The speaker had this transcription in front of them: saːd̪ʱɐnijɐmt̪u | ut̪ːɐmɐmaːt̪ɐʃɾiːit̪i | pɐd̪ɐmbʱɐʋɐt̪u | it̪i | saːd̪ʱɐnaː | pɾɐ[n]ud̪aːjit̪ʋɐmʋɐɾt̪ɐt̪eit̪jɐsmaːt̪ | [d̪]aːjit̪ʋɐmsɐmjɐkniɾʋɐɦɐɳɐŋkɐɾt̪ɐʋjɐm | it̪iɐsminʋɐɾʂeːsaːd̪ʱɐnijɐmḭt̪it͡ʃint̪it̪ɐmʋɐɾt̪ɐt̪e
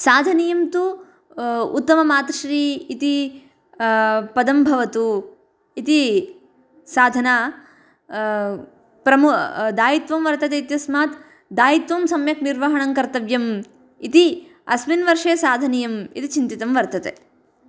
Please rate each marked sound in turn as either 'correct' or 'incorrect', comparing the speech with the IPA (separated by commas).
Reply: incorrect, correct